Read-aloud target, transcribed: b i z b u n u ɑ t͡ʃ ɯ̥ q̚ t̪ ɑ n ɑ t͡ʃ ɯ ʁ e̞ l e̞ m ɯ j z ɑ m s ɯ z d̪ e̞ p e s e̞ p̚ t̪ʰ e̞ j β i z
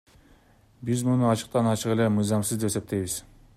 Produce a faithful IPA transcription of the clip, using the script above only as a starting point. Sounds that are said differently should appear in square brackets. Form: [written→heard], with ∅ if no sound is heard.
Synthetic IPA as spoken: b i z [b→m] u n u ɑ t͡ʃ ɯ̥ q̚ t̪ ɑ n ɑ t͡ʃ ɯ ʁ e̞ l e̞ m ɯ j z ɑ m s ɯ z d̪ e̞ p e s e̞ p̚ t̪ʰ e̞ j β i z